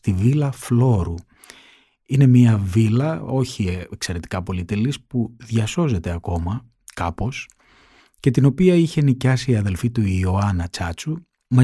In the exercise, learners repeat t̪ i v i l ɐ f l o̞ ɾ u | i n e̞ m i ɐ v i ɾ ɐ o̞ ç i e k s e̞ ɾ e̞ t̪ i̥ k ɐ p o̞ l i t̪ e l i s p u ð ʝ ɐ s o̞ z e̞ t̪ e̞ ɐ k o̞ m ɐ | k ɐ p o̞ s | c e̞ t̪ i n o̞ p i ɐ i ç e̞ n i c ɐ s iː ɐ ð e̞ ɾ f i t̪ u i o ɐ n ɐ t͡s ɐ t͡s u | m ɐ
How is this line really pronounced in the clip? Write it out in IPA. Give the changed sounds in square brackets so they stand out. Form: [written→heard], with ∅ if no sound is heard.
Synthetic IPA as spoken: t̪ i v i l ɐ f l o̞ ɾ u | i n e̞ m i ɐ v i [ɾ→l] ɐ o̞ ç i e k s e̞ ɾ e̞ t̪ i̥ k ɐ p o̞ l i t̪ e l i s p u ð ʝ ɐ s o̞ z e̞ t̪ e̞ ɐ k o̞ m ɐ | k ɐ p o̞ s | c e̞ t̪ i n o̞ p i ɐ i ç e̞ n i c ɐ s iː ɐ ð e̞ [ɾ→l] f i t̪ u i o ɐ n ɐ t͡s ɐ t͡s u | m ɐ